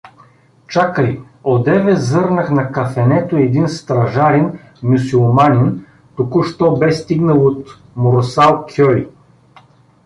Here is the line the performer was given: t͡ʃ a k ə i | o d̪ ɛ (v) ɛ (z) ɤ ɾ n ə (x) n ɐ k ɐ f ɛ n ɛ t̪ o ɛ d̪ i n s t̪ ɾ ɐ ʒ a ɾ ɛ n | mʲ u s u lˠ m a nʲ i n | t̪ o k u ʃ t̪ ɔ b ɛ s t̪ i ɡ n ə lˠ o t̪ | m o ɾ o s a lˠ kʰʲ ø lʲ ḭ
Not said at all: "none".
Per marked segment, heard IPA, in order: v, z, x

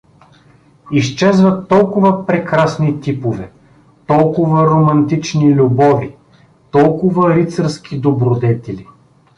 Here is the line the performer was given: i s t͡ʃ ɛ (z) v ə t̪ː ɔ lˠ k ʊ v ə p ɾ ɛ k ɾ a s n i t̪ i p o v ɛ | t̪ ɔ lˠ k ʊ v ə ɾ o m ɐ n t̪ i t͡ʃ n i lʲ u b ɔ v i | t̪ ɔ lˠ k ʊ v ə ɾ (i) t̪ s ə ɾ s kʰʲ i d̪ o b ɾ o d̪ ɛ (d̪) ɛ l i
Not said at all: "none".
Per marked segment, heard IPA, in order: z, i, t̪

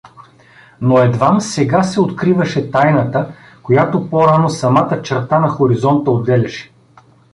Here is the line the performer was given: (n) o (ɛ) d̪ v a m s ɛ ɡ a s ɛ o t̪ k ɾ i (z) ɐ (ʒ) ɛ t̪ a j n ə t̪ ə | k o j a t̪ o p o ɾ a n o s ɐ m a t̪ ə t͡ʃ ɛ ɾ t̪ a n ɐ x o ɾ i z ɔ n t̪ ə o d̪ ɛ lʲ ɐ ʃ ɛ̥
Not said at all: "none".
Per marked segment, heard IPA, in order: n, ɛ, v, ʃ

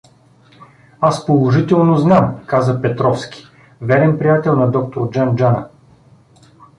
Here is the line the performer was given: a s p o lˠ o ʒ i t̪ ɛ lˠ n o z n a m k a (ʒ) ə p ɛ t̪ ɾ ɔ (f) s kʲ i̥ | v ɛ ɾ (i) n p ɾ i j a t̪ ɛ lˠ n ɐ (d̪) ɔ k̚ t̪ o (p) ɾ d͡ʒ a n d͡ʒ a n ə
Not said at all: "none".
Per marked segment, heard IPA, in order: z, f, ɛ, d̪, none

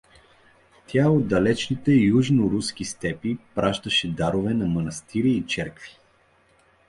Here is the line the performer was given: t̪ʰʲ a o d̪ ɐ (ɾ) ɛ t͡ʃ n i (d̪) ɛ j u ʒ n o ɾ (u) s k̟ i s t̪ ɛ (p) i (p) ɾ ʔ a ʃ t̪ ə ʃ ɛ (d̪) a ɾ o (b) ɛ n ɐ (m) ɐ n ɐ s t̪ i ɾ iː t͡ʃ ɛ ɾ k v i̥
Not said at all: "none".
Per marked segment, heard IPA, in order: l, t̪, u, p, p, d̪, v, m

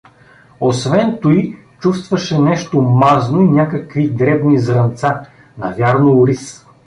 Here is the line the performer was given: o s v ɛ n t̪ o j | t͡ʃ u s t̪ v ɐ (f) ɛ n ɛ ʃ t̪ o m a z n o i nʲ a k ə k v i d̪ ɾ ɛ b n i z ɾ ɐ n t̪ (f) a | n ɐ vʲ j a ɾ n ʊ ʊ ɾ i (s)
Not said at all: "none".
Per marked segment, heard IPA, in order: ʃ, s, s

